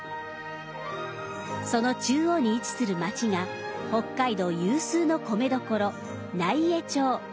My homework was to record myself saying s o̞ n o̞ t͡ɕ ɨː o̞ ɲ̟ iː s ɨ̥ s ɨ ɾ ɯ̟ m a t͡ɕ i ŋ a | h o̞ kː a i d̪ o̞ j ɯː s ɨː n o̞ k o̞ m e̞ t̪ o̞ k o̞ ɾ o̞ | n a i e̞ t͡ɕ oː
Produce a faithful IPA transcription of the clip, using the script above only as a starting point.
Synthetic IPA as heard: s o̞ n o̞ t͡ɕ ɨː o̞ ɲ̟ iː t͡s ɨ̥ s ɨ ɾ ɯ̟ m a t͡ɕ i ŋ a | h o̞ kː a i d̪ o̞ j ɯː s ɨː n o̞ k o̞ m e̞ d̪ o̞ k o̞ ɾ o̞ | n a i e̞ t͡ɕ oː